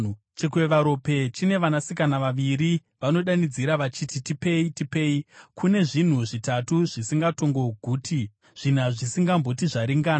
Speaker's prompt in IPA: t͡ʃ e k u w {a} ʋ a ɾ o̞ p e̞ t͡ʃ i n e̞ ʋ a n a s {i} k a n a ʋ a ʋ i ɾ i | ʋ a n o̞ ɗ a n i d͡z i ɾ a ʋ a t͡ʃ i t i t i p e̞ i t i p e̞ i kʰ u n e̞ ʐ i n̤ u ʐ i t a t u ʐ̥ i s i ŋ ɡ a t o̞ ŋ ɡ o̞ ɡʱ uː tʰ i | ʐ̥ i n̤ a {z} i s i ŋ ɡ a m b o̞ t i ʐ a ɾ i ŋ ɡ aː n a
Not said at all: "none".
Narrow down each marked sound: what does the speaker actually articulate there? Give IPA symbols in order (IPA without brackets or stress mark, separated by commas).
e, i, ʐ